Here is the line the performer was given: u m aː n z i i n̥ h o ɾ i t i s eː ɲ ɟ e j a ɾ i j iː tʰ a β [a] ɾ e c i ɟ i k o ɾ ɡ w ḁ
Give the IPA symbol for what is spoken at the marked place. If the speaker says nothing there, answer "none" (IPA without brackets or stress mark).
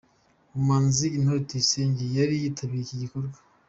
i